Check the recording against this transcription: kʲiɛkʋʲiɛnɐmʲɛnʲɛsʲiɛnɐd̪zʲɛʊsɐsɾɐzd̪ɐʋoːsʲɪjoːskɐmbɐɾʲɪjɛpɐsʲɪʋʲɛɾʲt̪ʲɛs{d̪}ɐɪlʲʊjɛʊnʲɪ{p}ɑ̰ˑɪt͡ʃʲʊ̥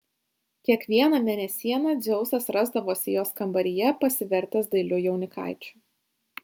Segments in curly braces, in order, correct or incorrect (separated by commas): correct, incorrect